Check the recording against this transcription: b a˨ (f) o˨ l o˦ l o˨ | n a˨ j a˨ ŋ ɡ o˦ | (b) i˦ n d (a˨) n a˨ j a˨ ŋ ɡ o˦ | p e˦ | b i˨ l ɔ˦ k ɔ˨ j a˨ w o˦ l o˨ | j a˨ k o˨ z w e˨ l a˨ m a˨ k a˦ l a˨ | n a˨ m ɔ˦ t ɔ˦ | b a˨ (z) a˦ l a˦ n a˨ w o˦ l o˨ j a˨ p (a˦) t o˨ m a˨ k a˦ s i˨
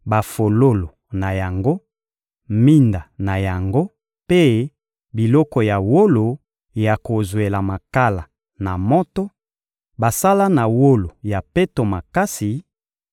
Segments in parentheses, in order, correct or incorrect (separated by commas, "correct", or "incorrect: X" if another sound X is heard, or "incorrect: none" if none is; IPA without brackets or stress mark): correct, incorrect: m, correct, incorrect: s, incorrect: e˦